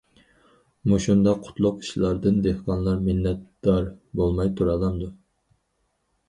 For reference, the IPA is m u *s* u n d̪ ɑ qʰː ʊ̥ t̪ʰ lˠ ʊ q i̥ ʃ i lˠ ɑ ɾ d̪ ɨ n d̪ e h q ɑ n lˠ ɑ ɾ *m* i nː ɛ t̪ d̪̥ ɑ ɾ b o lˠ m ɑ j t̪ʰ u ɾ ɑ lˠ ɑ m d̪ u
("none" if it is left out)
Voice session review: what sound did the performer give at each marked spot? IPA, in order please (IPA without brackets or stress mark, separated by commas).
ʃ, m